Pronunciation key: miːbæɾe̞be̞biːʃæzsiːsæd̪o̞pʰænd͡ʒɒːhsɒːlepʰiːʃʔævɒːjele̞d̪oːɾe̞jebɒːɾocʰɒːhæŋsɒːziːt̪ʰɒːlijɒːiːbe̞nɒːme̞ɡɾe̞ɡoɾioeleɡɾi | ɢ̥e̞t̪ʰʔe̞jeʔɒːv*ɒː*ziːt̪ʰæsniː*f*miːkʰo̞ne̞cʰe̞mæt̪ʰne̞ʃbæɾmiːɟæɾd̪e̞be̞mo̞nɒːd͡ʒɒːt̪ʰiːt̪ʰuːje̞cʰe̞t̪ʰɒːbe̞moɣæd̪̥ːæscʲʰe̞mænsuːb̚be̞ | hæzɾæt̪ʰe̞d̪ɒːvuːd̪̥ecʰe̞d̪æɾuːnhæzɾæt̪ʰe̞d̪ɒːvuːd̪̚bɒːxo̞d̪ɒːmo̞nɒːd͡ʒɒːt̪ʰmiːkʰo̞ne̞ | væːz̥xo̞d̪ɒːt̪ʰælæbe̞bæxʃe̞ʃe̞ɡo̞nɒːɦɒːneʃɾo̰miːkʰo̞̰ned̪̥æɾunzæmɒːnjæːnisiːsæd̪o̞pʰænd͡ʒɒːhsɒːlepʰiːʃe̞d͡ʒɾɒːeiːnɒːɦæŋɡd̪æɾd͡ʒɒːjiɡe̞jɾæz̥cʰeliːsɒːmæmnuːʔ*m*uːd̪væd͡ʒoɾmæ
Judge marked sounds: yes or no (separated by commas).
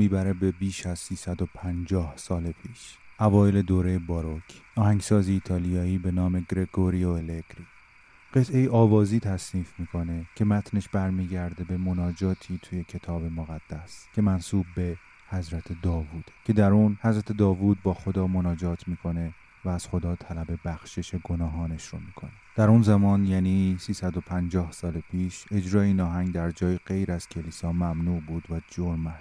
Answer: yes, yes, no